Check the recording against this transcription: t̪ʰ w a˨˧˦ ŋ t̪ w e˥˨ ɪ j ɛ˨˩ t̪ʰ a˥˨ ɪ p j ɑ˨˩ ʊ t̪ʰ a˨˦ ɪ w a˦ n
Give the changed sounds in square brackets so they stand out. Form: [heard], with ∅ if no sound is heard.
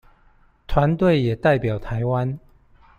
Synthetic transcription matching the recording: t̪ʰ w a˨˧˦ [n] t̪ w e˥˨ ɪ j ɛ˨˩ [t̪] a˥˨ ɪ p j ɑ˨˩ ʊ t̪ʰ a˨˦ ɪ w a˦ n